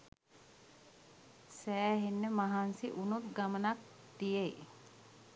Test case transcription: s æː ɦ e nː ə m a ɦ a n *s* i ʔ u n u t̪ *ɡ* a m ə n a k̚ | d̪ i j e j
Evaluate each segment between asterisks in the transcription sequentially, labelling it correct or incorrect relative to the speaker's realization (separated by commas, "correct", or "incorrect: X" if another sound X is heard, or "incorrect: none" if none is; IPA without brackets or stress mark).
correct, correct